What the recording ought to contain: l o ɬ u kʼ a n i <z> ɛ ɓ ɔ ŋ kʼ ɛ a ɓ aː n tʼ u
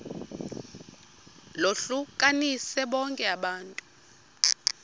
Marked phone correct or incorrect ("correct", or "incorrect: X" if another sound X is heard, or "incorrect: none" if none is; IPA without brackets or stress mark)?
incorrect: s